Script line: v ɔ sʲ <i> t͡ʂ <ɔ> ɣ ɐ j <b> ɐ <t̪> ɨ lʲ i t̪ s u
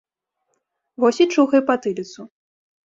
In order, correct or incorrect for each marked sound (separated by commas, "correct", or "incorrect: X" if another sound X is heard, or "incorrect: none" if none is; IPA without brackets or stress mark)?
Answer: correct, incorrect: u, incorrect: p, correct